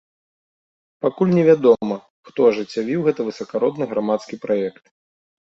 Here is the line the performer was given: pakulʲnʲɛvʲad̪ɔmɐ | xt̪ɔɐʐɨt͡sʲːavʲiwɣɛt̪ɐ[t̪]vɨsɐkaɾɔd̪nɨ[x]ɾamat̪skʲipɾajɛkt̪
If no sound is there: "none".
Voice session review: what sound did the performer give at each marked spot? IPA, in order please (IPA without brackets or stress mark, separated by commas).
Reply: none, ɣ